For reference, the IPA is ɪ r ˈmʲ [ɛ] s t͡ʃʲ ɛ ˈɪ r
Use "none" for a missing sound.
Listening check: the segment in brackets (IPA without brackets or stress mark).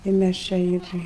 æ